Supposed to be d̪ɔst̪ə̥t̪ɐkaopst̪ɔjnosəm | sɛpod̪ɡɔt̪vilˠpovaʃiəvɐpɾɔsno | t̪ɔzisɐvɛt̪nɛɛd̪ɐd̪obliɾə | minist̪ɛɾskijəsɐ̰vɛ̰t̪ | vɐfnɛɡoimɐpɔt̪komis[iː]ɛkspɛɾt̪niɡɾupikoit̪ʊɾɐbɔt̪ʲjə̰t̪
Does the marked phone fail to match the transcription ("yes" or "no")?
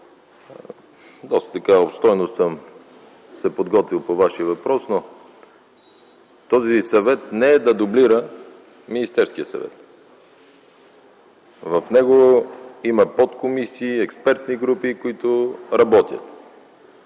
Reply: no